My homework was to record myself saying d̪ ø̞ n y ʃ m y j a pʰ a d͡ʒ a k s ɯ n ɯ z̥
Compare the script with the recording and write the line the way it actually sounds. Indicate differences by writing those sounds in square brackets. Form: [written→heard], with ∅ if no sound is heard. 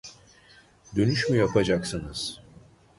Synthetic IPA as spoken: d̪ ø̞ n y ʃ m y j a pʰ a d͡ʒ a k s ɯ n ɯ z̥